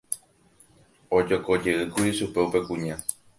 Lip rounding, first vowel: rounded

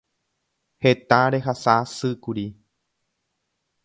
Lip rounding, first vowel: unrounded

